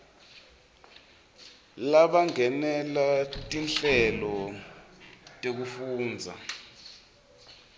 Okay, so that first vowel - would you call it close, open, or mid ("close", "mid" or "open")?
open